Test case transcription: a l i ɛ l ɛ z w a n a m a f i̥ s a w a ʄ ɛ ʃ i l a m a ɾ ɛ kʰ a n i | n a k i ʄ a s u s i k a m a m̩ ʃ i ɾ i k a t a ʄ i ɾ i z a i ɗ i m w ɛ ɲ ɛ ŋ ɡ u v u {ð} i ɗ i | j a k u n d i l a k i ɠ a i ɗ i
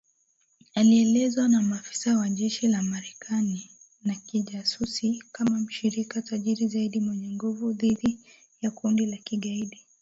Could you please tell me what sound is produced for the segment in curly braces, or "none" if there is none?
ð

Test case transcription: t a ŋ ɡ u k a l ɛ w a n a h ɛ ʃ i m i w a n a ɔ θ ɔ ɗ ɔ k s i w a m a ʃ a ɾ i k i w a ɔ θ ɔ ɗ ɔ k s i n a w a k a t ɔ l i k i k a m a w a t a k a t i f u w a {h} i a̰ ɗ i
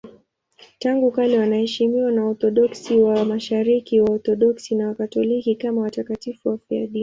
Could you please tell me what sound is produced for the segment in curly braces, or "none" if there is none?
f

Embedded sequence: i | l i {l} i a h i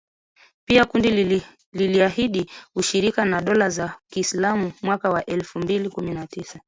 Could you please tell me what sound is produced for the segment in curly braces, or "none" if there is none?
l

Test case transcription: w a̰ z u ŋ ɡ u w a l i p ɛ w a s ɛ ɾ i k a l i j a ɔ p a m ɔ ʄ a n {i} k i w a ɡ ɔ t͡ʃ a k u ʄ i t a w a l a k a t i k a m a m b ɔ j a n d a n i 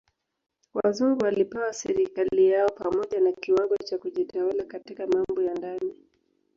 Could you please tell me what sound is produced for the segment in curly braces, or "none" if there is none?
a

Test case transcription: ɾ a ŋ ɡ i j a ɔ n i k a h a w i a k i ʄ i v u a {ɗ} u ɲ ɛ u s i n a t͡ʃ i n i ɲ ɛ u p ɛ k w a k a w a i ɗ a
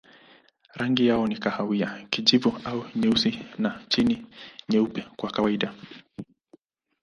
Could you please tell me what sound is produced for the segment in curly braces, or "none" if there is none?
none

